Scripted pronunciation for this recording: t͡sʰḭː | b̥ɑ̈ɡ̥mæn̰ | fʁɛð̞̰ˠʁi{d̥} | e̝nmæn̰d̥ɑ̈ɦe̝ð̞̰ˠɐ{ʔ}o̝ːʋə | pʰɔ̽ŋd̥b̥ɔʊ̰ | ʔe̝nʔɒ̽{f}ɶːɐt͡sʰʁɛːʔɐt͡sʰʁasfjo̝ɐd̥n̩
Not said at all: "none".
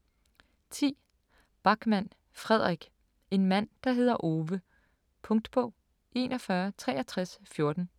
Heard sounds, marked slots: ɡ̥, ʔ, f

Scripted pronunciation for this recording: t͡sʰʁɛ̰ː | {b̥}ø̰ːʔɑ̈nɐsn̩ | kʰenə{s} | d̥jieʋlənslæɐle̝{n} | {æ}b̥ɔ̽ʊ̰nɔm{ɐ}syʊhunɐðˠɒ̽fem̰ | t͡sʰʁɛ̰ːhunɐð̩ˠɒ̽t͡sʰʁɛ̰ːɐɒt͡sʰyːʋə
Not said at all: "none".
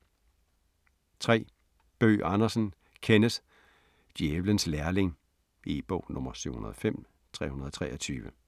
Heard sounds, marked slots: b̥, s, ŋ, i, ɐ

